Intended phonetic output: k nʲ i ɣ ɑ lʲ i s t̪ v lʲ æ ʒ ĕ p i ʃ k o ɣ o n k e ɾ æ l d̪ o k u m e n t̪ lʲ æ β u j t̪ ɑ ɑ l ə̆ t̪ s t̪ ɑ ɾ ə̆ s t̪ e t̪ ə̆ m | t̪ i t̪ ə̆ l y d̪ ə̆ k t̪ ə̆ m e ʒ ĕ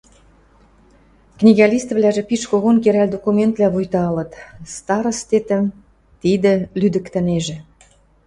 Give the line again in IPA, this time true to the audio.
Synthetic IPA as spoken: k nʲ i ɣ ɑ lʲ i s t̪ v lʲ æ ʒ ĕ p i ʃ k o ɣ o n k e ɾ æ l d̪ o k u m e n t̪ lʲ æ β u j t̪ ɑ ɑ l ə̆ t̪ s t̪ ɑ ɾ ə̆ s t̪ e t̪ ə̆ m | t̪ i d̪ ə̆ l y d̪ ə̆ k t̪ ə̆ n e ʒ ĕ